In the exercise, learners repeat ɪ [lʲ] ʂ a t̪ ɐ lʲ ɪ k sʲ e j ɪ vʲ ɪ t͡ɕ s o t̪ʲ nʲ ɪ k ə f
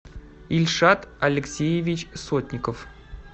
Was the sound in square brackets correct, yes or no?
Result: yes